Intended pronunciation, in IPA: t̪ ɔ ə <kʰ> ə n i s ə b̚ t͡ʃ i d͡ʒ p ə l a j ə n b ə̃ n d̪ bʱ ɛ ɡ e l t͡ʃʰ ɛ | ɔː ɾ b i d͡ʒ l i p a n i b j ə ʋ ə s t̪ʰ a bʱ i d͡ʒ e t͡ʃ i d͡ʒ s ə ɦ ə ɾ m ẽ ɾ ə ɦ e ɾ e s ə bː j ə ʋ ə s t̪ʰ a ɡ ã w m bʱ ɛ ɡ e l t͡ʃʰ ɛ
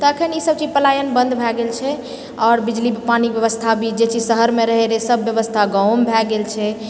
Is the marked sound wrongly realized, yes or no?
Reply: no